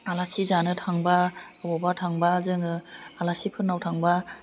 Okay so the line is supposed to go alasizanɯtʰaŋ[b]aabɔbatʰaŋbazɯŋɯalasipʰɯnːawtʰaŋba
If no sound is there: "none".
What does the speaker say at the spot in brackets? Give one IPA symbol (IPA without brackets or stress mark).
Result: b